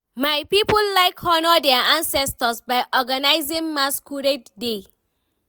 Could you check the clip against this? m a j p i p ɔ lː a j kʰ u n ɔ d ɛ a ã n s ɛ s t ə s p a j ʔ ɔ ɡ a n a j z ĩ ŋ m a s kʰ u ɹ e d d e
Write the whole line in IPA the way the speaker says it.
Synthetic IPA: m a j p i p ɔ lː a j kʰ ɔ n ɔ d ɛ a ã n s ɛ s t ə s b a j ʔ ɔ ɡ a n a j z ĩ ŋ m a s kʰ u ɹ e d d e